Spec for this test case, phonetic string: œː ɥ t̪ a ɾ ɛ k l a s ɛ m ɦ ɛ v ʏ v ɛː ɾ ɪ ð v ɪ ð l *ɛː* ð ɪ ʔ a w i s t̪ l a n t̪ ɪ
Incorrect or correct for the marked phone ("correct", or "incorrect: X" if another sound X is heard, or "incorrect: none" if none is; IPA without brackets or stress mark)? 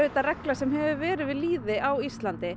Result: incorrect: iː